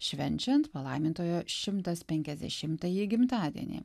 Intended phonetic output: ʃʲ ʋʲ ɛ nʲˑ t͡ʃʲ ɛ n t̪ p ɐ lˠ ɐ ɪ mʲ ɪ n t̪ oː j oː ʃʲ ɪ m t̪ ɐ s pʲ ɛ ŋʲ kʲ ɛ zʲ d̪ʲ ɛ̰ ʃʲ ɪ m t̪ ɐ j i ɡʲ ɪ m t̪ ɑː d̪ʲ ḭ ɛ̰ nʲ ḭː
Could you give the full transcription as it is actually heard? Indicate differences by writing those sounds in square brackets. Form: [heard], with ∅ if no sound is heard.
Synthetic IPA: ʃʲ ʋʲ ɛ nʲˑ t͡ʃʲ ɛ n t̪ p ɐ lˠ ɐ ɪ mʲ ɪ n t̪ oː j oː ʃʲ ɪ m t̪ ɐ s pʲ ɛ ŋʲ kʲ ɛ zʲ d̪ʲ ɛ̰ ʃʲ ɪ m t̪ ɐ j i ɡʲ ɪ m t̪ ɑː d̪ʲ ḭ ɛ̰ nʲ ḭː